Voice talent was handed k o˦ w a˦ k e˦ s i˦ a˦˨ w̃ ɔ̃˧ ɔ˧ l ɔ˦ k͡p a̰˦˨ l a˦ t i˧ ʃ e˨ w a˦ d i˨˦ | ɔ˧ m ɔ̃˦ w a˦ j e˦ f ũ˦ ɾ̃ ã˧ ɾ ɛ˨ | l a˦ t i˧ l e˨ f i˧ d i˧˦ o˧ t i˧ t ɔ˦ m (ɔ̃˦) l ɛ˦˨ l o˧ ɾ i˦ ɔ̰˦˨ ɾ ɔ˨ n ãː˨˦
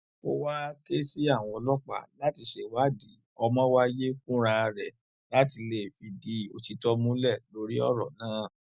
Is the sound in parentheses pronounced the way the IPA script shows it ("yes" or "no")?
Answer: no